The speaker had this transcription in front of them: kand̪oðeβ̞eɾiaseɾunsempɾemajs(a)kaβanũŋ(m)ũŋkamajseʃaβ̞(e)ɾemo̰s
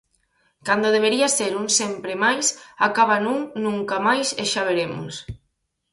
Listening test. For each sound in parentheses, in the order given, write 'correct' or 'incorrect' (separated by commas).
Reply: correct, incorrect, correct